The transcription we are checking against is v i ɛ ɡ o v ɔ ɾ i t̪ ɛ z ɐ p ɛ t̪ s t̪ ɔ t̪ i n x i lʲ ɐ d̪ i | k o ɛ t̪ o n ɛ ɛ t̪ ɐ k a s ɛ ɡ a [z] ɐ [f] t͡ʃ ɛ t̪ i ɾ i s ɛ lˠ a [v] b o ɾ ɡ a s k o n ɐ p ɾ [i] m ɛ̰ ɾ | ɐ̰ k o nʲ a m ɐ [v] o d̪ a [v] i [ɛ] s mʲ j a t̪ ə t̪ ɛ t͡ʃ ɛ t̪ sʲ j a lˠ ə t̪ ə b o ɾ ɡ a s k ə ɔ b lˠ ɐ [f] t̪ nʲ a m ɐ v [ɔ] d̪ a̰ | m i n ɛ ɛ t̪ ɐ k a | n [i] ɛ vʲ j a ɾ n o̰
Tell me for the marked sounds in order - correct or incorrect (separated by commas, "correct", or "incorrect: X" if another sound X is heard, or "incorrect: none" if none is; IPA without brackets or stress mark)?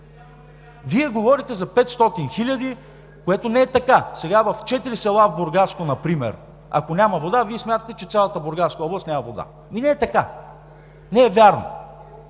incorrect: v, correct, correct, correct, correct, correct, correct, incorrect: s, incorrect: o, incorrect: ɛ